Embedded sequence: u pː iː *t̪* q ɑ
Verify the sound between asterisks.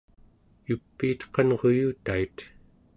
correct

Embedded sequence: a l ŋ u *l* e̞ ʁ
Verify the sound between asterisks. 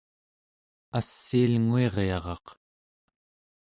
incorrect: none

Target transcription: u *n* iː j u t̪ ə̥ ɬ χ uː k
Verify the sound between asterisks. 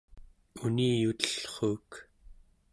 correct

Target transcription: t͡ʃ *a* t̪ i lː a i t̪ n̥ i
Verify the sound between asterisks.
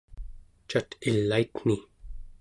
correct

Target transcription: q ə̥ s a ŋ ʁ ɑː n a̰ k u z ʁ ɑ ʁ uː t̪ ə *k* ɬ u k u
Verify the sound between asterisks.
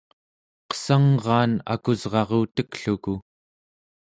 correct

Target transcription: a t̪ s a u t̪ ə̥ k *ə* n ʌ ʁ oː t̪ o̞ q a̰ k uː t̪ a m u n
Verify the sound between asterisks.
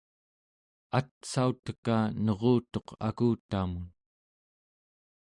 incorrect: a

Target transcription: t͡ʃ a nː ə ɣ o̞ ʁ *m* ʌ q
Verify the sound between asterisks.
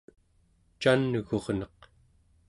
incorrect: n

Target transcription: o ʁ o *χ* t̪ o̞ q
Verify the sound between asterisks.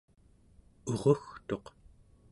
incorrect: x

